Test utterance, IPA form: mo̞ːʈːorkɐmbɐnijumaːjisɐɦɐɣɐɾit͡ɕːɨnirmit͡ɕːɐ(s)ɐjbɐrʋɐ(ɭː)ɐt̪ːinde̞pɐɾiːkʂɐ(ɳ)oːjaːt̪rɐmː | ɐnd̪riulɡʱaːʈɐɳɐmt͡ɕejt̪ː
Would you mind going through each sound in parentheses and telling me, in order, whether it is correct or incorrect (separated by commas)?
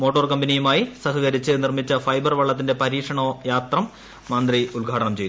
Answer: incorrect, correct, correct